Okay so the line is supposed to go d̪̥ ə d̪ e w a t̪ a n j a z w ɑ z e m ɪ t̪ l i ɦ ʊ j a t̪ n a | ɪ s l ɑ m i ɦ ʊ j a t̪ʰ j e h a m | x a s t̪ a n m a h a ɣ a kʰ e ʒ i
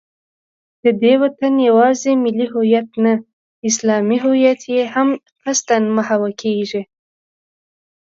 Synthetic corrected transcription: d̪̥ ə d̪ e w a t̪ a n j a w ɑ z e m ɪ l i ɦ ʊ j a t̪ n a | ɪ s l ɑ m i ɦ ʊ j a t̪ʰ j e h a m | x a s t̪ a n m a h a w a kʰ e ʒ i